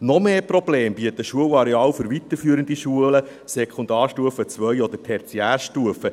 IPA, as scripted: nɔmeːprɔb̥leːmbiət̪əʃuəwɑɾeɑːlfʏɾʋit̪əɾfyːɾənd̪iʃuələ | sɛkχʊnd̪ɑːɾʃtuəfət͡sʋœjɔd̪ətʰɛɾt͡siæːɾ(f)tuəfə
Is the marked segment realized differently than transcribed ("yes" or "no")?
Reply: yes